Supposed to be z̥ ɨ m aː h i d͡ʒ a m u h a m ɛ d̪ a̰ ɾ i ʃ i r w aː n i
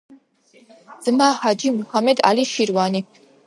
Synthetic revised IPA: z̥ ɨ m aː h a d͡ʒ i m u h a m ɛ d̪ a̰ l i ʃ i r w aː n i